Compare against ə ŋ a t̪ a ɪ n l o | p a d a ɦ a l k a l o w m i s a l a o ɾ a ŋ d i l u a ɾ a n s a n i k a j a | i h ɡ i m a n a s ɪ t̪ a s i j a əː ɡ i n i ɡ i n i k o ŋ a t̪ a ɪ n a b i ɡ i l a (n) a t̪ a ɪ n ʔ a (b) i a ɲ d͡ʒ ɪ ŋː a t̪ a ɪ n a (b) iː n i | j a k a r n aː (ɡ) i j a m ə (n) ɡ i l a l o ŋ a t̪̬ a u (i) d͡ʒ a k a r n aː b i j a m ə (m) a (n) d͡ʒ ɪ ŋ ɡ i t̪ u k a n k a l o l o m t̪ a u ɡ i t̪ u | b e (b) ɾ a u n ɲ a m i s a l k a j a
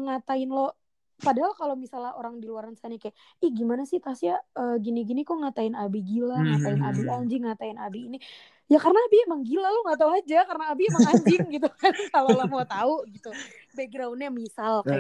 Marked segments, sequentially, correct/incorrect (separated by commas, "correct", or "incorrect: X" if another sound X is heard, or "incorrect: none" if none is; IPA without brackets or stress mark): incorrect: ŋ, correct, correct, incorrect: b, incorrect: ŋ, incorrect: a, incorrect: ŋ, incorrect: ɲ, incorrect: ɡ